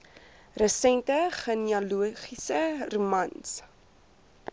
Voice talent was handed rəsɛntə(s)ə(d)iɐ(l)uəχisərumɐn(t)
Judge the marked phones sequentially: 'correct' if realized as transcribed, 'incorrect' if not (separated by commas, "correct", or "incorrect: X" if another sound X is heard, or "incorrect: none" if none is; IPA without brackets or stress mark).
incorrect: χ, incorrect: n, correct, incorrect: s